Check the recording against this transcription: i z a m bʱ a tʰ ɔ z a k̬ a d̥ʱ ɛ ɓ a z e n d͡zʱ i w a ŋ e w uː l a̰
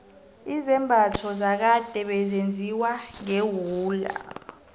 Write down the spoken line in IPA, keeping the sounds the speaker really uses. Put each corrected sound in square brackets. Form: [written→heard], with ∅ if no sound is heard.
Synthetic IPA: i z [a→ɛ] m bʱ a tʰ ɔ z a k̬ a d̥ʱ ɛ ɓ [a→ɛ] z e n d͡zʱ i w a ŋ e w uː l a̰